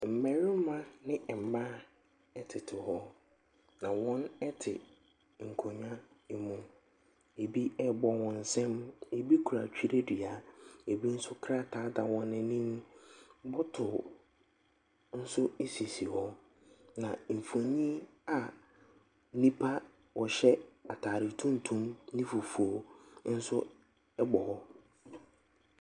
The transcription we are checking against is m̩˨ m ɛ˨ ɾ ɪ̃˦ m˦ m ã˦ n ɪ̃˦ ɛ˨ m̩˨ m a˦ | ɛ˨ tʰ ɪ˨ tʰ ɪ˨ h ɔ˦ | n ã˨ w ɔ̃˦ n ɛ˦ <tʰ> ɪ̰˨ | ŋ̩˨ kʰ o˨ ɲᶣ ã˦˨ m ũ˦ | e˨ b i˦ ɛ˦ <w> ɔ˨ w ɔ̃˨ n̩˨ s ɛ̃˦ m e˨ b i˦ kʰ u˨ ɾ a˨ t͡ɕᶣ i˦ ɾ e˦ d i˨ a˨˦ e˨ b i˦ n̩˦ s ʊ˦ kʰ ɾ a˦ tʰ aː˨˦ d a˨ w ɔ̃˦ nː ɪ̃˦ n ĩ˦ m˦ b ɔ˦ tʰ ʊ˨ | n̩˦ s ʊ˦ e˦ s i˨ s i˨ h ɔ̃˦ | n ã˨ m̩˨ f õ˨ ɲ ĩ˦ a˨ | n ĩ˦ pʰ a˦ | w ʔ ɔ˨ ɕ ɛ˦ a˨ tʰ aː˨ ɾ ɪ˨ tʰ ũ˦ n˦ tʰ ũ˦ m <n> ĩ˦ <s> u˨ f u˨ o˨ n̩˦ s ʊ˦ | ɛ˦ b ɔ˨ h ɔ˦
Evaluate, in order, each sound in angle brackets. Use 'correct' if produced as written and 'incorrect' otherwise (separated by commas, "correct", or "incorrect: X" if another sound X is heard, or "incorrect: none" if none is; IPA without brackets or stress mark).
correct, incorrect: b, correct, incorrect: f